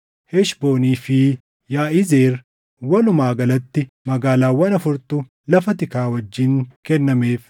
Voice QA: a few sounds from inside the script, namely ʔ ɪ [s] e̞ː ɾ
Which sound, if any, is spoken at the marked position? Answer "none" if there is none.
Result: z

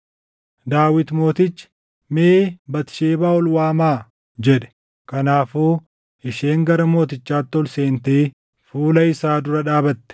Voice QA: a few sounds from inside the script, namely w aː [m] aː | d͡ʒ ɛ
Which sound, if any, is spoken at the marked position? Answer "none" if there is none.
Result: m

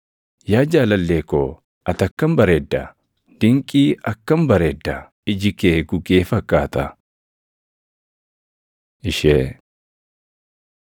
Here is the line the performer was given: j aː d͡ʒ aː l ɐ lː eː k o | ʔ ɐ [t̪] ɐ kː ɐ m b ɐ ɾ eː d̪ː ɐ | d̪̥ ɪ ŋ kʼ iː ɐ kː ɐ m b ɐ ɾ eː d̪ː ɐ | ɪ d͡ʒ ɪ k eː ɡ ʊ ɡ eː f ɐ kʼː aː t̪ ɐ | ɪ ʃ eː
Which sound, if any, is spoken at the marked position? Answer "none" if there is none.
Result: t̪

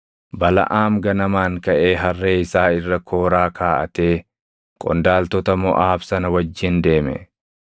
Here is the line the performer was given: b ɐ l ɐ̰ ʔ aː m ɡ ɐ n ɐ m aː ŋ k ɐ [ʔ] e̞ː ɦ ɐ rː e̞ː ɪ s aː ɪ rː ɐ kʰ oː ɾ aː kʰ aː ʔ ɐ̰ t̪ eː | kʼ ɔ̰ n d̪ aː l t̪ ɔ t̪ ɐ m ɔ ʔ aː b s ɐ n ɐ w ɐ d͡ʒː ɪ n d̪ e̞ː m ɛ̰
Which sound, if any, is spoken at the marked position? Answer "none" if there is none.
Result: ʔ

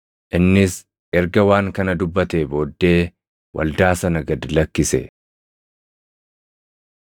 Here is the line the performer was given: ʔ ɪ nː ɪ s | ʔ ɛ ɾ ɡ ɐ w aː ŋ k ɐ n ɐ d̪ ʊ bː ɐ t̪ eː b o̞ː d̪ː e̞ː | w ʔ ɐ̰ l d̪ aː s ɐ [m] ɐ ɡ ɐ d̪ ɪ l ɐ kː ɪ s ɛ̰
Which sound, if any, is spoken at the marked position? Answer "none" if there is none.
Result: n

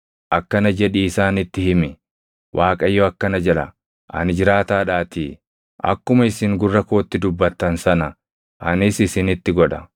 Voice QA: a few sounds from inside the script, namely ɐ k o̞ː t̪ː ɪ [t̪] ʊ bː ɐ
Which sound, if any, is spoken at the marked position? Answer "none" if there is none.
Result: d̪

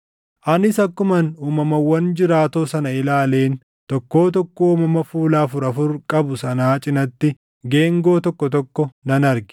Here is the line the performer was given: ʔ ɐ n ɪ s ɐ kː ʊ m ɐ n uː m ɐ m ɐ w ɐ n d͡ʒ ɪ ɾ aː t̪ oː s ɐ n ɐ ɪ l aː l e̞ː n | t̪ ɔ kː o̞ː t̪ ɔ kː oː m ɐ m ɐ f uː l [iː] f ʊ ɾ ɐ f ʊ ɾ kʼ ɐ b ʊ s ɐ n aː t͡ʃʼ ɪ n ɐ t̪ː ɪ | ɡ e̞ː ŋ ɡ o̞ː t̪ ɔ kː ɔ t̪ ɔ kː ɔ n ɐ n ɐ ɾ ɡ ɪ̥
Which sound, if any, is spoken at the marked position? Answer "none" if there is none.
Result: aː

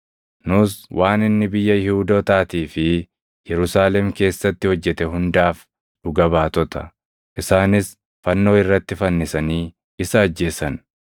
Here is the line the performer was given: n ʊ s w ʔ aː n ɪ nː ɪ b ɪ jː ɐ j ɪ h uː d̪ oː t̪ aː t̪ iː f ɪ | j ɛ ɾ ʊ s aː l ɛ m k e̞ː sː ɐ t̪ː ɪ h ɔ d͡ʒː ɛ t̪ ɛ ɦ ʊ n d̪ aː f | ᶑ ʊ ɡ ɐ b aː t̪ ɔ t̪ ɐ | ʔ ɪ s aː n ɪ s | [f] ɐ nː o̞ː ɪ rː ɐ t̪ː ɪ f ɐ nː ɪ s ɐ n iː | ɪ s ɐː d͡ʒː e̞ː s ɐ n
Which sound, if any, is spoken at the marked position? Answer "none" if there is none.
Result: f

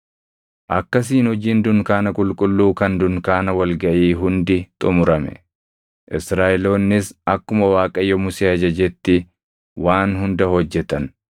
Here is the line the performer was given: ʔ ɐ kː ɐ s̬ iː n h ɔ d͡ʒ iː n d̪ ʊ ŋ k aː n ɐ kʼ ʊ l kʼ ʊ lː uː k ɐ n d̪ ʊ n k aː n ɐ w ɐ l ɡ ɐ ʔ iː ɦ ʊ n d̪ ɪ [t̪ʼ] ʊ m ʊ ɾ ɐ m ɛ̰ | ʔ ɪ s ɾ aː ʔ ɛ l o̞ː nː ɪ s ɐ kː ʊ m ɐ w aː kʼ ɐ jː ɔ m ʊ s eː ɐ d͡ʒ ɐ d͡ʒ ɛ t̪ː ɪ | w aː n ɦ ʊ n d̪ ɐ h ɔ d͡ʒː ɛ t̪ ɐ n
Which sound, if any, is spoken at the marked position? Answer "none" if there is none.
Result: t̪ʼ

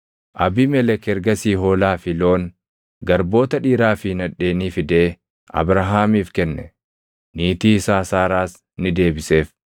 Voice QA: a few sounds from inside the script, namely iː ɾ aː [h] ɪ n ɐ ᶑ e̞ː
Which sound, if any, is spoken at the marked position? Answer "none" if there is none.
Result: f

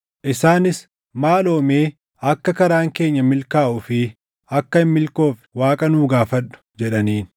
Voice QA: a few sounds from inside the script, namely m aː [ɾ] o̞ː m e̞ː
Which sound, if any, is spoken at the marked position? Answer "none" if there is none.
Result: l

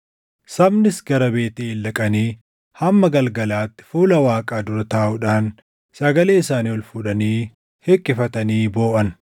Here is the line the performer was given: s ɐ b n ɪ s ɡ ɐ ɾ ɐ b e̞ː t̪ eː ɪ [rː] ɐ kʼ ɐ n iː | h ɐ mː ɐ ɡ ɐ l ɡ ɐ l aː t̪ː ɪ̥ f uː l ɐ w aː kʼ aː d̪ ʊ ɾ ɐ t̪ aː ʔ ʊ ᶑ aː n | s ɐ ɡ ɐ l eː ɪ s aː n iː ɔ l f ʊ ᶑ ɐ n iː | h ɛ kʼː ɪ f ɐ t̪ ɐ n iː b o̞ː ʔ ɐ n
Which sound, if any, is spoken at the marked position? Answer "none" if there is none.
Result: lː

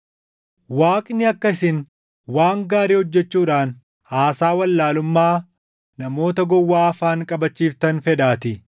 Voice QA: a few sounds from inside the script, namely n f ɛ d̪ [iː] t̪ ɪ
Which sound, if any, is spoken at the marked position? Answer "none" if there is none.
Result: aː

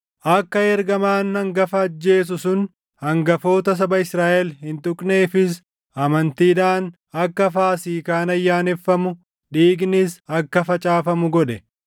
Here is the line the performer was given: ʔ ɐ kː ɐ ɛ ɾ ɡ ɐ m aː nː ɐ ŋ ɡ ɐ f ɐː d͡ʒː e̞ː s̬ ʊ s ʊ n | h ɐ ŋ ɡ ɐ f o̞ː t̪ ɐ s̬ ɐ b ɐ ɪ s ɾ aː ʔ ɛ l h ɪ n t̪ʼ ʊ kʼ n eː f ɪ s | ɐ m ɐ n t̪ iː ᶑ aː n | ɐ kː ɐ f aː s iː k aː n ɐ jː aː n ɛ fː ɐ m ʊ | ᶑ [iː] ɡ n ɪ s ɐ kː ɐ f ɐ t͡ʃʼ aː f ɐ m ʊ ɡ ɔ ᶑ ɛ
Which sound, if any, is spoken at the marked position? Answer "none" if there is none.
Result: iː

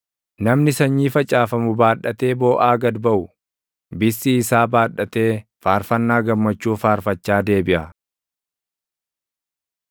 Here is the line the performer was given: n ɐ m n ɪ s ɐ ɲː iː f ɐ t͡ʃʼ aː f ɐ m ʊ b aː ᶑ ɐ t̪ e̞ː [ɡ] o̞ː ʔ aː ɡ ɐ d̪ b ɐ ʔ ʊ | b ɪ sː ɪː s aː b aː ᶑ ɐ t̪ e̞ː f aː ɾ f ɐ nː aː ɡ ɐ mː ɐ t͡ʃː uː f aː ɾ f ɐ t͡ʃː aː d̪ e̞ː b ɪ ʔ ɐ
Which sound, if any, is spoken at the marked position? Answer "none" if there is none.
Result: b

